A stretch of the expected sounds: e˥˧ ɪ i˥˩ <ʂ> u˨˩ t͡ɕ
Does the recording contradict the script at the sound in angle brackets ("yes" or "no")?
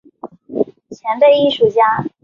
no